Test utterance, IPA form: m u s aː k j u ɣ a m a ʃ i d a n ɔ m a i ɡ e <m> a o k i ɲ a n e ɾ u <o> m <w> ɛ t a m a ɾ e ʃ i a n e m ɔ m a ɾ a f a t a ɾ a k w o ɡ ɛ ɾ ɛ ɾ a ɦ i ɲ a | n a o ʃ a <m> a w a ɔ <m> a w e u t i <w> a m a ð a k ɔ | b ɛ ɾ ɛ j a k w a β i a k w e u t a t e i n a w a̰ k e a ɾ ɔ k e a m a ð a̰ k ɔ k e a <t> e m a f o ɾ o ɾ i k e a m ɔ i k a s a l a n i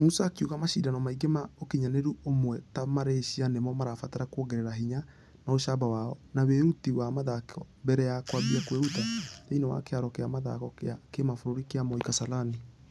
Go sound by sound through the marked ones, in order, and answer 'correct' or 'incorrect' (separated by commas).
correct, correct, correct, incorrect, incorrect, correct, incorrect